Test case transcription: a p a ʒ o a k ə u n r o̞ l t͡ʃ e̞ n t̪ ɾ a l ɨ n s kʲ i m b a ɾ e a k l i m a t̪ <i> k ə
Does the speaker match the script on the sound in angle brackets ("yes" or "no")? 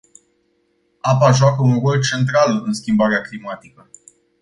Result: yes